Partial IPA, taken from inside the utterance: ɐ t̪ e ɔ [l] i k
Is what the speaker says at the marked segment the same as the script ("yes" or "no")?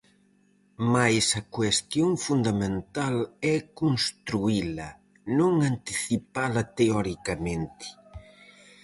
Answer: no